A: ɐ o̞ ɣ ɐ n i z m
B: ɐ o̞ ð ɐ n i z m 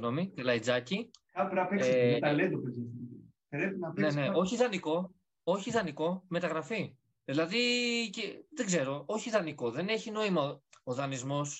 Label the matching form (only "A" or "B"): B